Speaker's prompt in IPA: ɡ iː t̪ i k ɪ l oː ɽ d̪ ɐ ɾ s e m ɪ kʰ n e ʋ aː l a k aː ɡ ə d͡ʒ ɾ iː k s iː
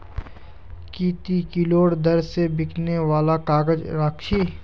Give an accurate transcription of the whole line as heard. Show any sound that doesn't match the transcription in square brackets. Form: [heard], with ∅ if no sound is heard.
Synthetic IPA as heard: [k] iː t̪ i k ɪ l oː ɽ d̪ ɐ ɾ s e [b] ɪ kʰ n e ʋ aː l a k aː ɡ ə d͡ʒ ɾ [aː] k [ʃ] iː